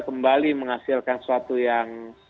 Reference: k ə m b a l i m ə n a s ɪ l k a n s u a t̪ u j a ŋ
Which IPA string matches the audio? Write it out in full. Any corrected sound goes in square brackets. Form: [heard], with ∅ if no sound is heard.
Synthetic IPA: k ə m b a l i m ə [ŋ] a s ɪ l k a n s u a t̪ u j a ŋ